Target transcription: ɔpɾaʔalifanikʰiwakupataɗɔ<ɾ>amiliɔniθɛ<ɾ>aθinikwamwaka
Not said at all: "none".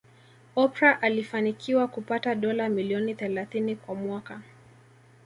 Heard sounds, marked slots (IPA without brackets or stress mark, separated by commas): l, l